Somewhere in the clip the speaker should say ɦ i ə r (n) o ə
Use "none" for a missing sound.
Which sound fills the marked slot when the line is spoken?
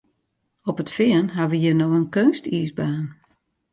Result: n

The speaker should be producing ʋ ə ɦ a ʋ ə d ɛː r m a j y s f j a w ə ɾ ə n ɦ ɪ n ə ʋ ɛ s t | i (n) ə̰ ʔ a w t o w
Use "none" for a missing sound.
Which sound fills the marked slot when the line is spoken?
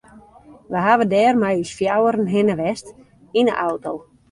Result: n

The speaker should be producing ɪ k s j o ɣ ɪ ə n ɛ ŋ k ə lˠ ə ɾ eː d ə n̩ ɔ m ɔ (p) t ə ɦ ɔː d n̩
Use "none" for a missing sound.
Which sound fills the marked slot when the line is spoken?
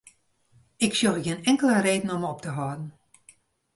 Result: p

